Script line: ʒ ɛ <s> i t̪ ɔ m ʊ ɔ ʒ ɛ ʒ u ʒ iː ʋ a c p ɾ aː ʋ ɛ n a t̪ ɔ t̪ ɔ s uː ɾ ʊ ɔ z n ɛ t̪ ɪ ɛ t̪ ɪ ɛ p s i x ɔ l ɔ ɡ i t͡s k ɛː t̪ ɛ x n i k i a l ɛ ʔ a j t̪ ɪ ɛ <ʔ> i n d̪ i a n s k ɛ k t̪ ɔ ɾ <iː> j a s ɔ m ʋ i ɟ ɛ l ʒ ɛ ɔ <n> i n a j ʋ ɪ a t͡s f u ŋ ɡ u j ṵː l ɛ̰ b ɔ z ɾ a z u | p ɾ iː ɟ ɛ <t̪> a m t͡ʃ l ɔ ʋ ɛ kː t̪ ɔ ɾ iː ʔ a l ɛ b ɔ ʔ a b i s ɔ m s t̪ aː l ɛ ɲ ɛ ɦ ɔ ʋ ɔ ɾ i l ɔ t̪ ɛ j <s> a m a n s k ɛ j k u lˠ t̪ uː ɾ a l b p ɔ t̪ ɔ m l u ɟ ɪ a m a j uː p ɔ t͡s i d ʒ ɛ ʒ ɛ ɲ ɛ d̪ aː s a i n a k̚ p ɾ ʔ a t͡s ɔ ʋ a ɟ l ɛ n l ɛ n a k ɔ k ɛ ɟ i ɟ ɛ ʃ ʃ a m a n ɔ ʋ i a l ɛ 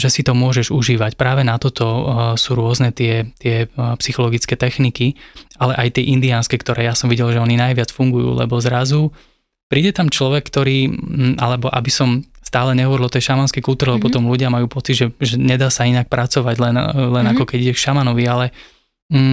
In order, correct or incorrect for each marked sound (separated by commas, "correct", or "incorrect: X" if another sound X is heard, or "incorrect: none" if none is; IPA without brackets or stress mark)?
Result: correct, correct, incorrect: ɛː, correct, correct, incorrect: ʃ